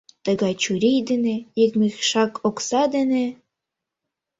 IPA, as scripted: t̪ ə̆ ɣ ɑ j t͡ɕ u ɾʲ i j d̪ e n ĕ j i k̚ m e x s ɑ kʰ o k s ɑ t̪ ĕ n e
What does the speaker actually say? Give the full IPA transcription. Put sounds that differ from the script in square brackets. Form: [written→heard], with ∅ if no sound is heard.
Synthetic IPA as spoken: t̪ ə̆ ɣ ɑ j t͡ɕ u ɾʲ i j d̪ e n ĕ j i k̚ m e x [s→ʃ] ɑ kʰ o k s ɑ [t̪→d̪] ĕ n e